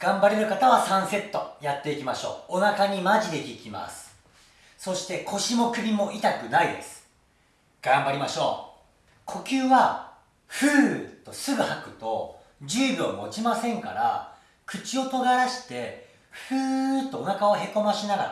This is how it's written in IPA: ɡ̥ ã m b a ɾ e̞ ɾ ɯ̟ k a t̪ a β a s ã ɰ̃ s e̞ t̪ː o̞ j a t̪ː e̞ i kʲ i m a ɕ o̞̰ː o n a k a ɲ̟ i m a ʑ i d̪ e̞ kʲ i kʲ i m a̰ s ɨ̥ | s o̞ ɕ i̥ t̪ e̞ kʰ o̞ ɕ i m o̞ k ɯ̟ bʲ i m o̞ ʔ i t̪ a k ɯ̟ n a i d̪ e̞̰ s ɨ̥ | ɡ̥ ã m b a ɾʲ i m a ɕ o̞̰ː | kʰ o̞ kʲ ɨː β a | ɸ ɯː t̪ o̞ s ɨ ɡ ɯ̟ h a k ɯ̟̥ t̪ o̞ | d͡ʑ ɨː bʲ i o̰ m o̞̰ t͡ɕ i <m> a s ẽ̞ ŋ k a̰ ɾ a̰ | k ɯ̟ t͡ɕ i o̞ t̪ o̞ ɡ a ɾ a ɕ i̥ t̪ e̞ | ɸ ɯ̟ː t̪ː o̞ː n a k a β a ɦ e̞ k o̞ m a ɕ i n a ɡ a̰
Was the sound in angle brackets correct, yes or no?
yes